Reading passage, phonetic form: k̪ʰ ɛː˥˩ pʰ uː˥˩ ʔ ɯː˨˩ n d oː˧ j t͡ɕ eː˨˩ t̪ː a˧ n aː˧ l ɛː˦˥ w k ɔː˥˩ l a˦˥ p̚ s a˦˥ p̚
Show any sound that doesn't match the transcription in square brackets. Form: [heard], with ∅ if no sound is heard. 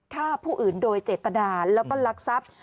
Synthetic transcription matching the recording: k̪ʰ [aː˥˩] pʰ uː˥˩ ʔ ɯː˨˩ n d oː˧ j t͡ɕ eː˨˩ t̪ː a˧ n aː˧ l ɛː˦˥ w k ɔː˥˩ l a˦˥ [k̚] s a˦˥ p̚